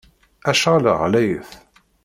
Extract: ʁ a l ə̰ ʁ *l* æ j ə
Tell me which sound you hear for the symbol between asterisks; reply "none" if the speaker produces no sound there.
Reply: l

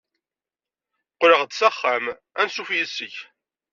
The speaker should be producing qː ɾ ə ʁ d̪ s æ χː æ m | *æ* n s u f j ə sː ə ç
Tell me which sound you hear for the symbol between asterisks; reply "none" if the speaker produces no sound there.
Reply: æ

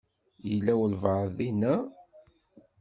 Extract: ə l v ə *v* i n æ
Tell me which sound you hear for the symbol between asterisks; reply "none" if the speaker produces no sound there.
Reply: ð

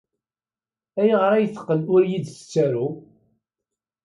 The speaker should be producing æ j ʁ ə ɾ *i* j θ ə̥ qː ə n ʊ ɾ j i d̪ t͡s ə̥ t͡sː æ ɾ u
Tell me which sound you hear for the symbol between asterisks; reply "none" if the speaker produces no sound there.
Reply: æ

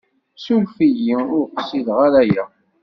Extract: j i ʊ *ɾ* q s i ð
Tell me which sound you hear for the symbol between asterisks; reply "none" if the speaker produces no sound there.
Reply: ɾ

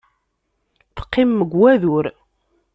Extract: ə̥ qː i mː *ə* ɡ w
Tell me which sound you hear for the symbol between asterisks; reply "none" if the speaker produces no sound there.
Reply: ə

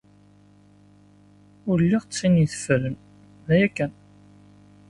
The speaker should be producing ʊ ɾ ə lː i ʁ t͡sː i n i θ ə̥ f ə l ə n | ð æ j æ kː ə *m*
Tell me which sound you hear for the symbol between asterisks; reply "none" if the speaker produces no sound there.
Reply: n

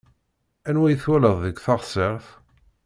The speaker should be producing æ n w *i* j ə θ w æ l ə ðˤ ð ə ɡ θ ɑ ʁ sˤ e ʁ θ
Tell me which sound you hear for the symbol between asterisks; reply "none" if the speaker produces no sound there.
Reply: æ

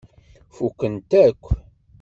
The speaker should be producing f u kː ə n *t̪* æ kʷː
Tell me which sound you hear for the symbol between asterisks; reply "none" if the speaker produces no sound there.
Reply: t̪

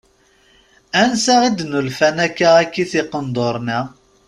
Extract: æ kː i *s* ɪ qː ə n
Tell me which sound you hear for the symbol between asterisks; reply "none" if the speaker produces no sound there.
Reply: θ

